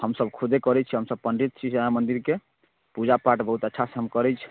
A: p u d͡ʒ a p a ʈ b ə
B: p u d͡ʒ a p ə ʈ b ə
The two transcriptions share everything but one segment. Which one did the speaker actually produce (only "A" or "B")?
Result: A